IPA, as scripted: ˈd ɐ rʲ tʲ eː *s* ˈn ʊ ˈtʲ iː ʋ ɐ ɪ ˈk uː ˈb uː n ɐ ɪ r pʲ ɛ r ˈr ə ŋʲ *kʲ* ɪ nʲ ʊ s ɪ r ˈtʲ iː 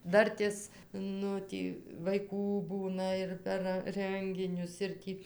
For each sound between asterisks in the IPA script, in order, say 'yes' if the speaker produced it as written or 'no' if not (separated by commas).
yes, no